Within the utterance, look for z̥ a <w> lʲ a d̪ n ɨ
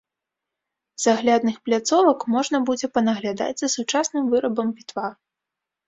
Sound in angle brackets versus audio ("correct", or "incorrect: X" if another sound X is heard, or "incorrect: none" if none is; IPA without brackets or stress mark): incorrect: ɣ